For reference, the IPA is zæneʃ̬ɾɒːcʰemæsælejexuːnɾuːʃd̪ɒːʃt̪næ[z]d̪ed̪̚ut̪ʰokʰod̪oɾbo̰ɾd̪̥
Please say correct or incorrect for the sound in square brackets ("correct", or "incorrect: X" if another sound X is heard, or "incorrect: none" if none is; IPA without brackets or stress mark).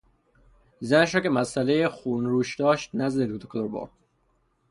correct